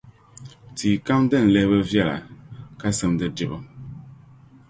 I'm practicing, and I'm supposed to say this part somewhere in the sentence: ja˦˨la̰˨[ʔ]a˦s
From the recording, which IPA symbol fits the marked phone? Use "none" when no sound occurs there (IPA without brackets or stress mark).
k